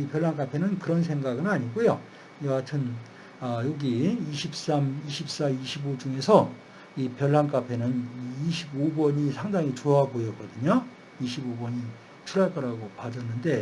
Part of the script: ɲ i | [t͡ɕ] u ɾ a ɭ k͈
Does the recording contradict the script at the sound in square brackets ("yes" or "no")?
yes